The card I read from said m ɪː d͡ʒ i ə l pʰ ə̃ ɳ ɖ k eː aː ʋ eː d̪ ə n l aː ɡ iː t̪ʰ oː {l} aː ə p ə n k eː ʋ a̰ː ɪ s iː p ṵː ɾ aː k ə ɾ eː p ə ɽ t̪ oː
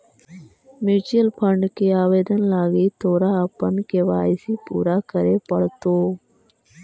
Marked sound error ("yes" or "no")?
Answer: yes